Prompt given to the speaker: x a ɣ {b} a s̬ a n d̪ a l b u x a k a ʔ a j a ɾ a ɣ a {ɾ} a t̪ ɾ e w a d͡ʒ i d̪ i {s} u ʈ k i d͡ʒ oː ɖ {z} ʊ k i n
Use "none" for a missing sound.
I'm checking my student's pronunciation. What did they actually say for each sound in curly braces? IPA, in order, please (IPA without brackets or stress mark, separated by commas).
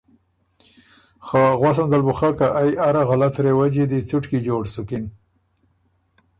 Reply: w, l, t͡s, s